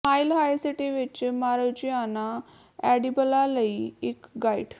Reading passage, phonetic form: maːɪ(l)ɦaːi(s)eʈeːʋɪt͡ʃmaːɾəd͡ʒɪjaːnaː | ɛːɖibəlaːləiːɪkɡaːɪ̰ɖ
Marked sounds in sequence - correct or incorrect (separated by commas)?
correct, correct